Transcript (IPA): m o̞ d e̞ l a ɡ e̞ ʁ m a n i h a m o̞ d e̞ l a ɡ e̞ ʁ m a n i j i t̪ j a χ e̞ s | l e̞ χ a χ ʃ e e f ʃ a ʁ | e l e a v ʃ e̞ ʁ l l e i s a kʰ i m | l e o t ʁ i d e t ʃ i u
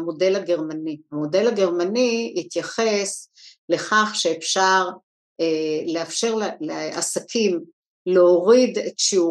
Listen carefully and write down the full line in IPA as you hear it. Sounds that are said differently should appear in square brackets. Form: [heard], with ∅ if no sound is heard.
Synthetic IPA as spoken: m o̞ d e̞ l a ɡ e̞ ʁ m a n i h a m o̞ d e̞ l a ɡ e̞ ʁ m a n i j i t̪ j a χ e̞ s | l e̞ χ a χ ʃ e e f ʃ a ʁ | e l e a [f] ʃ e̞ ʁ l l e [a] s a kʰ i m | l e o [∅] ʁ i d e t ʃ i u